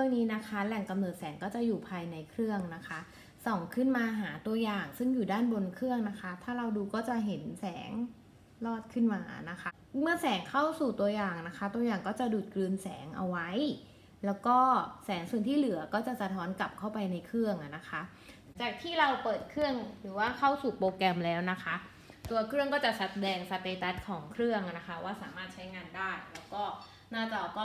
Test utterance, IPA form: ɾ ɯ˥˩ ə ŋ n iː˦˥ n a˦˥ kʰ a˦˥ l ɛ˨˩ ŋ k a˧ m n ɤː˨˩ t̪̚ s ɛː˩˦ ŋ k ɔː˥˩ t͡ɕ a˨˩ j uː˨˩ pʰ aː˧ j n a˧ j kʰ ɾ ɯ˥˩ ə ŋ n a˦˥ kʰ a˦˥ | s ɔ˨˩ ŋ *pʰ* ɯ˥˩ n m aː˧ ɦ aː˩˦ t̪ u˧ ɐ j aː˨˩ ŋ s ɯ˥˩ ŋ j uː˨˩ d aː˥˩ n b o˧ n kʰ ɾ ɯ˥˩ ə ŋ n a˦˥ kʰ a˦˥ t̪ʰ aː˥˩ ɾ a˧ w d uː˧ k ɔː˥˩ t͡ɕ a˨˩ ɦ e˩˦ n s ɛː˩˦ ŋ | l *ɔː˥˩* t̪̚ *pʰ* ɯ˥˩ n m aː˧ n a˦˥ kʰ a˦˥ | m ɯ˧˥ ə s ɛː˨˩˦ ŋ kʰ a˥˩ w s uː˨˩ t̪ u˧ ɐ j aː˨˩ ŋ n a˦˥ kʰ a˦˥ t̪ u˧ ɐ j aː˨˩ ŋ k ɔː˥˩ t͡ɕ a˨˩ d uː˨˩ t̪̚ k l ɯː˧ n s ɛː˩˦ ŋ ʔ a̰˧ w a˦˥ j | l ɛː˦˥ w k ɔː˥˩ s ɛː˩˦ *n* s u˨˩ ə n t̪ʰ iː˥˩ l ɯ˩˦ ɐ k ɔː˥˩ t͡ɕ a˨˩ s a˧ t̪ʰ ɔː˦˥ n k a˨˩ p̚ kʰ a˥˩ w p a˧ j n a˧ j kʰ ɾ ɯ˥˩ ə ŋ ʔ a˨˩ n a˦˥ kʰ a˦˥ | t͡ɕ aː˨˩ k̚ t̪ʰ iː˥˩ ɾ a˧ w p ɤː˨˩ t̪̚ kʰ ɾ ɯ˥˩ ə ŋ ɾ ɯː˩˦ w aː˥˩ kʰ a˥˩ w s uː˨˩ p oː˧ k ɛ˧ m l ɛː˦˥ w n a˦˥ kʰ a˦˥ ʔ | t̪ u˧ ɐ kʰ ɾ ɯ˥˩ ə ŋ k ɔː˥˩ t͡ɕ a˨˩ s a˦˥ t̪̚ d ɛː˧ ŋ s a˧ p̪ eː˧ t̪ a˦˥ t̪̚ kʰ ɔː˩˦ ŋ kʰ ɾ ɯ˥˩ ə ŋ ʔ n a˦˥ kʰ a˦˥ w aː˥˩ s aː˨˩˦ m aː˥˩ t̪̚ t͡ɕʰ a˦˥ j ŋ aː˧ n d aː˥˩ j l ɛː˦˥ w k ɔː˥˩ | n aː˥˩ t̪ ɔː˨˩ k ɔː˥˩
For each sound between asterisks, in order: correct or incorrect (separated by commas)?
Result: incorrect, correct, incorrect, incorrect